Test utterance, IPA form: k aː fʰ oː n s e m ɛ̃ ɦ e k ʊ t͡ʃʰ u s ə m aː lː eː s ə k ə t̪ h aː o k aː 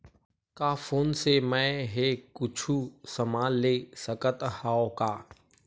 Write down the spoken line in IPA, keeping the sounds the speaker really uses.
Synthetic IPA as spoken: k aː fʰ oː n s e m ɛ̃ ɦ e k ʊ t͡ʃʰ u s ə m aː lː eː s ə k ə t̪ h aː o k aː